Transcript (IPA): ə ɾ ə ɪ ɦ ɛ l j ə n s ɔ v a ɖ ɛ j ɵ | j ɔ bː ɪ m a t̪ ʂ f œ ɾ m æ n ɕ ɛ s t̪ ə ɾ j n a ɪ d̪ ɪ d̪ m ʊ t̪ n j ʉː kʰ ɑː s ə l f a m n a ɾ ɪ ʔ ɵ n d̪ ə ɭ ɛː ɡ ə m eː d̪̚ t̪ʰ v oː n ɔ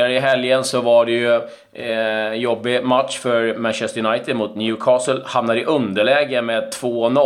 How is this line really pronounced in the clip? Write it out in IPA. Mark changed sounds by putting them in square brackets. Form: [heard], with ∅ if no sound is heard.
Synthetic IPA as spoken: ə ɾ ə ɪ ɦ ɛ l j ə n s ɔ v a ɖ ɛ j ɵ | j ɔ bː ɪ m a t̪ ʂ f œ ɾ m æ n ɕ ɛ s t̪ ə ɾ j n a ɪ [t̪] ɪ d̪ m ʊ t̪ n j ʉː kʰ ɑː s ə l [h] a m n a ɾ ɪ ʔ ɵ n d̪ ə ɭ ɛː ɡ ə m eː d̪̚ t̪ʰ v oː n ɔ